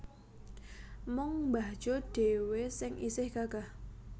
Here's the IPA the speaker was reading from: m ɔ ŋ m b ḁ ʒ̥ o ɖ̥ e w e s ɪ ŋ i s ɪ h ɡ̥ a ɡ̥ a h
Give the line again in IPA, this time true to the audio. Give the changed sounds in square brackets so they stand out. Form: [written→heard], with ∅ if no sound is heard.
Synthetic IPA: m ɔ ŋ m b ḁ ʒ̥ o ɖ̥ e w e s ɪ ŋ i s ɪ h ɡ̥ a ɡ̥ a h